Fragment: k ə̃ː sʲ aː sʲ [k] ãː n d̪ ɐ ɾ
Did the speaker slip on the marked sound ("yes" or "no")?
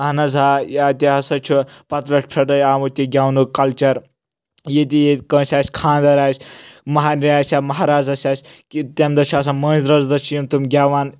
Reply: yes